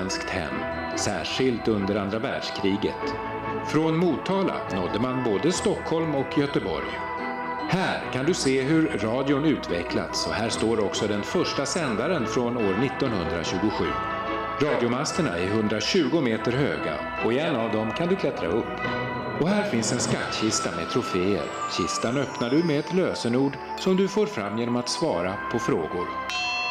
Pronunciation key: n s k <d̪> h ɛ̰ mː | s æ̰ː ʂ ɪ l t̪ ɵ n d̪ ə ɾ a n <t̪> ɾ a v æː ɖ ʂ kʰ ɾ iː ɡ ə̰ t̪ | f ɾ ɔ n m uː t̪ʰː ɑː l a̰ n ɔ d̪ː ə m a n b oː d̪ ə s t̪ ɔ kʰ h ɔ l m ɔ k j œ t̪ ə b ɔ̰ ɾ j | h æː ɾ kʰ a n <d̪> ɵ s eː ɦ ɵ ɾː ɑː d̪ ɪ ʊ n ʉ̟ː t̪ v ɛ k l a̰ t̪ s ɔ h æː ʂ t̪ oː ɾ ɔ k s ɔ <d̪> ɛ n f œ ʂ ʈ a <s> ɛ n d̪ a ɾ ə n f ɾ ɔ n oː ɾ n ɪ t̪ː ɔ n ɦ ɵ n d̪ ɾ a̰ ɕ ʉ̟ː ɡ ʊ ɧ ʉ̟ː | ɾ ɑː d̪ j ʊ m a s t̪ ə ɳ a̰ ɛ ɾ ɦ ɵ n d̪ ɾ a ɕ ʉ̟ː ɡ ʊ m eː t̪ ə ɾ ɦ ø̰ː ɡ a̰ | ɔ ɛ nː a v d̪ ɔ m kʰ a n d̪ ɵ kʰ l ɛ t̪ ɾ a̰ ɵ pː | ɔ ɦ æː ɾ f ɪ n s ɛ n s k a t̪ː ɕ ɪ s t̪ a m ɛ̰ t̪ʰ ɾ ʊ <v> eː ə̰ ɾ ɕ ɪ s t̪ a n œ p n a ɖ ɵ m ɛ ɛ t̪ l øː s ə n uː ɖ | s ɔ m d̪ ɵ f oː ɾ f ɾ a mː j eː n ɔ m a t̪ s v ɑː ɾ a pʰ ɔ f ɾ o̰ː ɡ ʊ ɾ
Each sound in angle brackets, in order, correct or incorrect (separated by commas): incorrect, incorrect, correct, correct, correct, incorrect